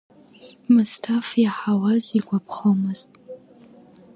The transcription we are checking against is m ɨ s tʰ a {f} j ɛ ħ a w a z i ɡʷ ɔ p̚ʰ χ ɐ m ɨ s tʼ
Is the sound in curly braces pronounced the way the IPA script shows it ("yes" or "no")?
yes